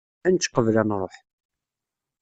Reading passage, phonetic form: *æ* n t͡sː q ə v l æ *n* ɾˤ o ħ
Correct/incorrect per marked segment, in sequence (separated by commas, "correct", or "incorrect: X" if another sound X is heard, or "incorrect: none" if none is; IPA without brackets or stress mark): correct, correct